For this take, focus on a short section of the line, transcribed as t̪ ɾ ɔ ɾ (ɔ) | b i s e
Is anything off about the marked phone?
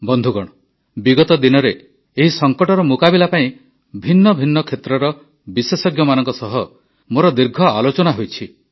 no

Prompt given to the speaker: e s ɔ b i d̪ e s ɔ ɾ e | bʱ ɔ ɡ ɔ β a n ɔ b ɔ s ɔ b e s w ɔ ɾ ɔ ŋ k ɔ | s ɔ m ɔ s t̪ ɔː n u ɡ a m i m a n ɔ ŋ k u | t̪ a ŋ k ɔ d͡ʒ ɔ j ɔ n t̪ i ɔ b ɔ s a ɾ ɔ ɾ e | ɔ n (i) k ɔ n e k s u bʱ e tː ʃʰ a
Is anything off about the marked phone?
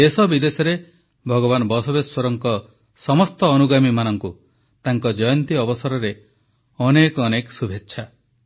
yes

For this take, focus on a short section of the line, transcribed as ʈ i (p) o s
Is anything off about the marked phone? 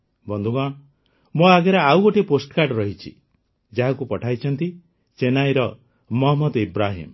no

